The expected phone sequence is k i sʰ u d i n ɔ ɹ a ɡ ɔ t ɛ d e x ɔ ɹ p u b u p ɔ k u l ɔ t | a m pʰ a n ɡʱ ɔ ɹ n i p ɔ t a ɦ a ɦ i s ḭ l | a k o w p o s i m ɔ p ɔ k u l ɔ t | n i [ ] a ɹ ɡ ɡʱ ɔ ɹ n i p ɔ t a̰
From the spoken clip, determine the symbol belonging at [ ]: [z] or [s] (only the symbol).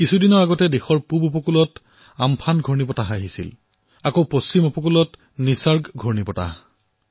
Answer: s